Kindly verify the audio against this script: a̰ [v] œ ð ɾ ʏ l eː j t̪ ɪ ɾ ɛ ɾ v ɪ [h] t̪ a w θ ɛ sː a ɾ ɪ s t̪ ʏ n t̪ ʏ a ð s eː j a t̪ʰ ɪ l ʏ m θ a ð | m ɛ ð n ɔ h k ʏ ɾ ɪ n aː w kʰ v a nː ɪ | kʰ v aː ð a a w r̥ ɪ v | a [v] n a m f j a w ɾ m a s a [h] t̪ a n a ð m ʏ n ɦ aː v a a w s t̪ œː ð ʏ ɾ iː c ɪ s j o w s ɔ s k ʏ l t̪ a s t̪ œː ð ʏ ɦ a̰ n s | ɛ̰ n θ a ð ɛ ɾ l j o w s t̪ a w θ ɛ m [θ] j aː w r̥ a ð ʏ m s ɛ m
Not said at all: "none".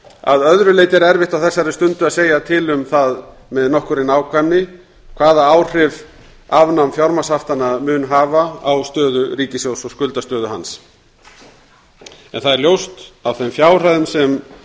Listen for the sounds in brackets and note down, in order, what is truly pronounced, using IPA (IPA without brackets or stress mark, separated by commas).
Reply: ð, h, v, f, f